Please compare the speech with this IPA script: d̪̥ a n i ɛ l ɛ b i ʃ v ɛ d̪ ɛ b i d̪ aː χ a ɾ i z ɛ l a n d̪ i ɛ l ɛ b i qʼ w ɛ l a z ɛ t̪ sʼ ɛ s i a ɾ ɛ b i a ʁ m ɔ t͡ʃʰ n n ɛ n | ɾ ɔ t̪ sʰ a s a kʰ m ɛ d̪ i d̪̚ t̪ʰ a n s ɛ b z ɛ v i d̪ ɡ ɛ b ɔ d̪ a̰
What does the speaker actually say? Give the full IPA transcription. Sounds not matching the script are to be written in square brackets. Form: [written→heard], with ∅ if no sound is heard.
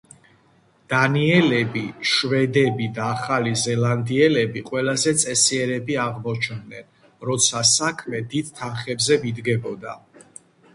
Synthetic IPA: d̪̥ a n i ɛ l ɛ b i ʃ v ɛ d̪ ɛ b i d̪ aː χ a [ɾ→l] i z ɛ l a n d̪ i ɛ l ɛ b i qʼ w ɛ l a z ɛ t̪ sʼ ɛ s i [a→ɛ] ɾ ɛ b i a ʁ m ɔ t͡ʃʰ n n ɛ n | ɾ ɔ t̪ sʰ a s a kʰ m ɛ d̪ i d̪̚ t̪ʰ a n [s→χ] ɛ b z ɛ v i d̪ ɡ ɛ b ɔ d̪ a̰